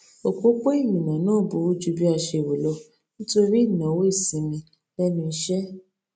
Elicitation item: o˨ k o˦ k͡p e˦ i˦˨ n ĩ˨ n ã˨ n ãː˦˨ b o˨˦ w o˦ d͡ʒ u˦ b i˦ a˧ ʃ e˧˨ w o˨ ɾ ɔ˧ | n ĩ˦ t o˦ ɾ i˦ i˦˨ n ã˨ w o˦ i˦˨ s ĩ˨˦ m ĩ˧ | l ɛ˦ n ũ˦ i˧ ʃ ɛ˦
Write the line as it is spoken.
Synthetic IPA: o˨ k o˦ k͡p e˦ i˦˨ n ĩ˨ n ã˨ n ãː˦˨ b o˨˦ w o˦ d͡ʒ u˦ b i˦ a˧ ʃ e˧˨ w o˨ l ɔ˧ | n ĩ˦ t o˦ ɾ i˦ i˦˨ n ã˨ w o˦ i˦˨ s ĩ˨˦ m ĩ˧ | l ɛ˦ n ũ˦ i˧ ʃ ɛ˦